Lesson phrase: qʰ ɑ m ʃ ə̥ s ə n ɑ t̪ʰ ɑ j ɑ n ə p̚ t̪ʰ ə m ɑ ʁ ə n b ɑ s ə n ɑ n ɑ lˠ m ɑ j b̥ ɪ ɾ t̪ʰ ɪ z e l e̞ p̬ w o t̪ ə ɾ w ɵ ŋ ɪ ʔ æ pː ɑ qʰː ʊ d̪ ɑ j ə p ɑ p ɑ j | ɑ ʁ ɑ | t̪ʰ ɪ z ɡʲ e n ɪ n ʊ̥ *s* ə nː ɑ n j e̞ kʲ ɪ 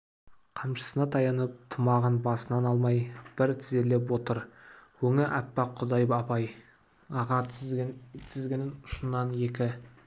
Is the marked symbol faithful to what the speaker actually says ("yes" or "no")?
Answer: no